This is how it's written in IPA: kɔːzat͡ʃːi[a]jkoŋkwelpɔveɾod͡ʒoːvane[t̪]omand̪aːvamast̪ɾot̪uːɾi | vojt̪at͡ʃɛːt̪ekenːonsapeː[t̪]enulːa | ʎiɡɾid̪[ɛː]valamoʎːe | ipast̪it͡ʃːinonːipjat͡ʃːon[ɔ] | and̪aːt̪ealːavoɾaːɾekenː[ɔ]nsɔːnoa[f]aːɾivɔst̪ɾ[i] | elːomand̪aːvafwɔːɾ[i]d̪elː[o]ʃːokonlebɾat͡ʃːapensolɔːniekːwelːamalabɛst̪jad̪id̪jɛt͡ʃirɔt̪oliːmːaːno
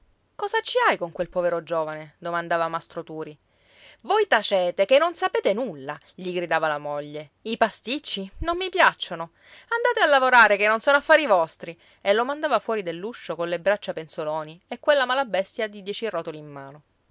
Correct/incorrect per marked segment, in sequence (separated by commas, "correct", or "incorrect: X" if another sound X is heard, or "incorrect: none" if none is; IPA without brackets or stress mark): correct, incorrect: d̪, correct, incorrect: aː, incorrect: o, incorrect: o, incorrect: fː, correct, correct, incorrect: u